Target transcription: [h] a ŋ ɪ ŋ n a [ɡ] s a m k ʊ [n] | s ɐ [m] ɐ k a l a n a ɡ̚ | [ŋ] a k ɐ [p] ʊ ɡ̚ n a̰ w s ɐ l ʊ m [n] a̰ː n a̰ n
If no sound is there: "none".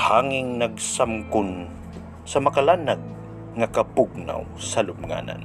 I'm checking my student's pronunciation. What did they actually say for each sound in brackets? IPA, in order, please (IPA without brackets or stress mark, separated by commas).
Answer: h, ɡ, n, m, ŋ, p, ŋ